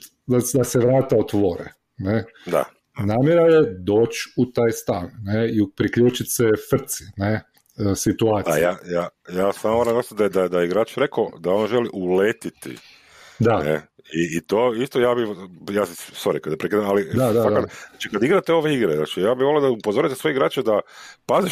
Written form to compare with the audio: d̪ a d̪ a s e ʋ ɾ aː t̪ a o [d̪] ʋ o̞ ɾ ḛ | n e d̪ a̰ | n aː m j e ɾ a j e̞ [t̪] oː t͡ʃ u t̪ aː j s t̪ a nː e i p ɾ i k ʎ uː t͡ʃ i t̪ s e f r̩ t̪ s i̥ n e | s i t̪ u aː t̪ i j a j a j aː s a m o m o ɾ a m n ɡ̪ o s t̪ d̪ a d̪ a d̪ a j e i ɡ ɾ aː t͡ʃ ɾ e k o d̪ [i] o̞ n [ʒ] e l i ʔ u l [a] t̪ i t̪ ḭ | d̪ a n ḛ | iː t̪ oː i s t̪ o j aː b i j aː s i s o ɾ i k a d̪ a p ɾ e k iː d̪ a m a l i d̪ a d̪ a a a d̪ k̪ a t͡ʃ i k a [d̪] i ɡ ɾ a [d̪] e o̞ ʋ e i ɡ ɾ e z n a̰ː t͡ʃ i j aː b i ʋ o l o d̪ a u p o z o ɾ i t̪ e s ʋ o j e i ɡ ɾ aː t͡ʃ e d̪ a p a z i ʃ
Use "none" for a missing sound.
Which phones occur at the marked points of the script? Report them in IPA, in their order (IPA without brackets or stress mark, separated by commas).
t̪, d̪, a, ʒ, e, d̪, t̪